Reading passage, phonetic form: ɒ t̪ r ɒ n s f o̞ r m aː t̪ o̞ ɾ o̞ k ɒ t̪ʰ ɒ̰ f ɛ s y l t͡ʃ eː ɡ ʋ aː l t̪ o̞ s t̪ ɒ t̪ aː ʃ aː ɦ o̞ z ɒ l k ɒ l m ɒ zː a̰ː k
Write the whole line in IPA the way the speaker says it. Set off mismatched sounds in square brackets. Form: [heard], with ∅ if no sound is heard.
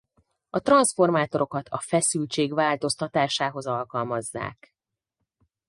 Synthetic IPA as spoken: ɒ t̪ r ɒ n s f o̞ r m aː t̪ o̞ ɾ o̞ k ɒ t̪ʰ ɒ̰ f ɛ s y l t͡ʃ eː ɡ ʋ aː l t̪ o̞ s t̪ ɒ t̪ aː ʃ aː ɦ o̞ z ɒ l k ɒ l m ɒ zː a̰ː k